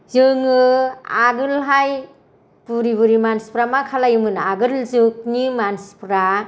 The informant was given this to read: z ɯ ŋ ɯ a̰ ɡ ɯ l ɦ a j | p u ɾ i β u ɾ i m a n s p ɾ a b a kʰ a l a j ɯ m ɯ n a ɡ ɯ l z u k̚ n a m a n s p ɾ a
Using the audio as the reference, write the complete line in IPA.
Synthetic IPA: z ɯ ŋ ɯ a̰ ɡ ɯ l ɦ a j | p u ɾ i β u ɾ i m a n s p ɾ a m a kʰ a l a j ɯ m ɯ n a ɡ ɯ l z ɯ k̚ n i m a n s p ɾ a